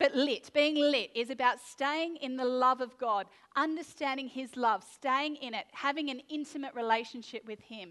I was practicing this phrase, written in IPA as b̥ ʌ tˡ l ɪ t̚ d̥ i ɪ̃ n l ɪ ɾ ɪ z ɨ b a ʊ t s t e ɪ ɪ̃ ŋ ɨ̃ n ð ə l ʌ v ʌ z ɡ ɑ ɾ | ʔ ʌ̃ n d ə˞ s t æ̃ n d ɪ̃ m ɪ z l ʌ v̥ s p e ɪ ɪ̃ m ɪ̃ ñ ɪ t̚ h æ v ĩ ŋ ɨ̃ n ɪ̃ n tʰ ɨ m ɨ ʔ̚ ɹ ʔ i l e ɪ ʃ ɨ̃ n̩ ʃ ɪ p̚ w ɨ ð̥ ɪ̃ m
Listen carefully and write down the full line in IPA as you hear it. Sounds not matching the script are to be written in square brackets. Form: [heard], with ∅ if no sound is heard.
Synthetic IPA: b̥ ʌ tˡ l ɪ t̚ [b̥] i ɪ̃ [ŋ] l ɪ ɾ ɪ z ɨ b a ʊ t s t e ɪ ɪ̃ ŋ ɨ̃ n ð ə l ʌ v ʌ [v] ɡ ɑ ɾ | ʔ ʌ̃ n d ə˞ s t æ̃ n d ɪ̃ [ŋ] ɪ z l ʌ v̥ s [t] e ɪ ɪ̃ [ŋ] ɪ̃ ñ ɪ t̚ h æ v [ɪ̃] ŋ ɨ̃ n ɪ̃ n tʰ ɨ m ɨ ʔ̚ ɹ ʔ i l e ɪ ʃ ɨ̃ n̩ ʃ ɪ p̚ w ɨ ð̥ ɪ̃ m